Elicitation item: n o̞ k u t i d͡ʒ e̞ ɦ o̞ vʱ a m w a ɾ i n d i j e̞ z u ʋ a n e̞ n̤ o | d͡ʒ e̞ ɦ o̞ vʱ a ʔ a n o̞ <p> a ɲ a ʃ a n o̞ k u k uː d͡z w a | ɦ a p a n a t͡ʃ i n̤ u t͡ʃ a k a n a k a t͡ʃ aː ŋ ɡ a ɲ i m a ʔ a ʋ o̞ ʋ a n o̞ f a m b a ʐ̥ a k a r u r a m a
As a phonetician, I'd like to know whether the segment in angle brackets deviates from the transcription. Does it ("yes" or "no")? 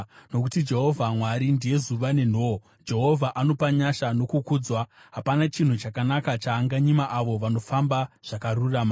no